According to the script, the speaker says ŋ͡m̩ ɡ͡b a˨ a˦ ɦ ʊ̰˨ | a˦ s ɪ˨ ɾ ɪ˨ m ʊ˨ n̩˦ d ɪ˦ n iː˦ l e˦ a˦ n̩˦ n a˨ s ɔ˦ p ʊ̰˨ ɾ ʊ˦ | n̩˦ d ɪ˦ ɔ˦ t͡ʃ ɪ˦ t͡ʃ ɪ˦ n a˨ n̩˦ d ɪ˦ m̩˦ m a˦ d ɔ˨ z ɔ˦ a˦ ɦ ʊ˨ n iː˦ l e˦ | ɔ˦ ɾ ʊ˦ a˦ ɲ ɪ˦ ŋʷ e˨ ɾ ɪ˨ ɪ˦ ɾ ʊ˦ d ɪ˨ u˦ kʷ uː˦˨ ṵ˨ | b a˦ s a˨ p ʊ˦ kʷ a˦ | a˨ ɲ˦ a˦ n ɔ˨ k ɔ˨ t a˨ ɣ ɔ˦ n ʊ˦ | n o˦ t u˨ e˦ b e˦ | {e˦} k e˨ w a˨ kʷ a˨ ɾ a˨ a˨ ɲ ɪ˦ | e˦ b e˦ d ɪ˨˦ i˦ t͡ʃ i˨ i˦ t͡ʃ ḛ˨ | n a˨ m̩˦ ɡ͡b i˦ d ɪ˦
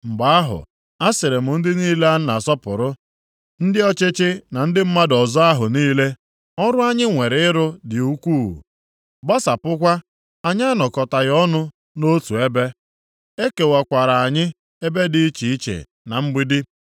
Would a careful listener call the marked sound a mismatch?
no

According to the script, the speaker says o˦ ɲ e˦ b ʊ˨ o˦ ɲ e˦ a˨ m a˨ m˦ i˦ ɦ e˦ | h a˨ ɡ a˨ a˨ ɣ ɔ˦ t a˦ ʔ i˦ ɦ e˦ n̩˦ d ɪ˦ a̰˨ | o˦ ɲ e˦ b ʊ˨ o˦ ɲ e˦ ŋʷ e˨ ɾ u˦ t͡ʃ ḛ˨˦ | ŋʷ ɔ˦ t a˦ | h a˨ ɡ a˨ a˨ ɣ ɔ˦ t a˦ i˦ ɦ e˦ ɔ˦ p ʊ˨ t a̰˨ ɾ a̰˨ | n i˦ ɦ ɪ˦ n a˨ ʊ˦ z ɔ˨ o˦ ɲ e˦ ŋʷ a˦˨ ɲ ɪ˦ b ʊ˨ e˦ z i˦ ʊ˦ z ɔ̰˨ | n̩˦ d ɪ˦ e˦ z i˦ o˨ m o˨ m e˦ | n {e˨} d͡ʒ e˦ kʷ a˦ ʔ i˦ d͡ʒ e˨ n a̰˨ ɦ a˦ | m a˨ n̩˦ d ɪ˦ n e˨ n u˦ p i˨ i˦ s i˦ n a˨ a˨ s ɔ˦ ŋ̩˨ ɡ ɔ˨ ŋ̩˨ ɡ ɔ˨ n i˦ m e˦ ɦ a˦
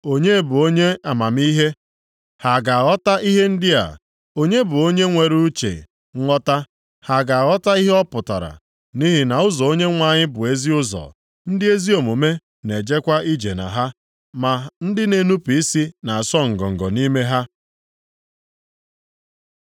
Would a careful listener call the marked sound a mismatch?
no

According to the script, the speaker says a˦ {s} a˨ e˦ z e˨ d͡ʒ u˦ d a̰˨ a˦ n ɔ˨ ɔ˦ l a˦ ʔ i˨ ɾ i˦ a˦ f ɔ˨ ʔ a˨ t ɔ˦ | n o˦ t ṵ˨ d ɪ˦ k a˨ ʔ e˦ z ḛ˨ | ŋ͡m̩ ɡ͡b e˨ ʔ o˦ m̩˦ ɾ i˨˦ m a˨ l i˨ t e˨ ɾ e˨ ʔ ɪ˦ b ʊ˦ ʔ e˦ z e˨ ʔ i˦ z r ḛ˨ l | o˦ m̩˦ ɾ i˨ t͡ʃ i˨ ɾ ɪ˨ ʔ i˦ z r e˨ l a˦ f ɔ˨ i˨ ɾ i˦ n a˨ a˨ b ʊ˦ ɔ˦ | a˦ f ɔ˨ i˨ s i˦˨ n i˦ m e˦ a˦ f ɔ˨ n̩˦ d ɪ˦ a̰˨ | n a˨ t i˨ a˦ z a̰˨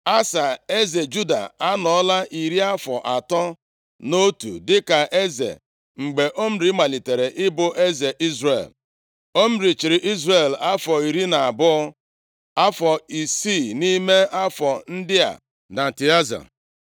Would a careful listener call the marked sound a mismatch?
no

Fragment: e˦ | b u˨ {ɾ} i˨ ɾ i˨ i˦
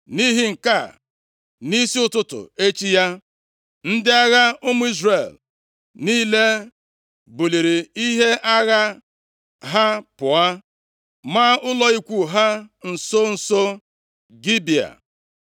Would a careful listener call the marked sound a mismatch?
yes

